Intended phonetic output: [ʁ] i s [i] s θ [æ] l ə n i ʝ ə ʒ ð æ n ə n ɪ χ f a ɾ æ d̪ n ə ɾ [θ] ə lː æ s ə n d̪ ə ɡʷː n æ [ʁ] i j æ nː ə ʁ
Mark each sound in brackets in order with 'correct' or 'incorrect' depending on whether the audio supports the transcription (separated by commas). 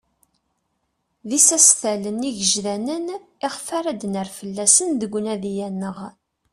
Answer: incorrect, incorrect, correct, incorrect, incorrect